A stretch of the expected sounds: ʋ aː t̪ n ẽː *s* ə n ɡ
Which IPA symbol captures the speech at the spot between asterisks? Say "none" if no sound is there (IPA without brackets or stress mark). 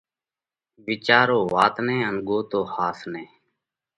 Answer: none